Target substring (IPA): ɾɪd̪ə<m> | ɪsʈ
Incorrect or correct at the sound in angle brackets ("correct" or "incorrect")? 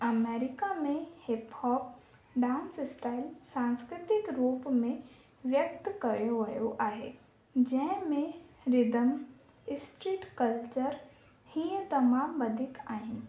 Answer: correct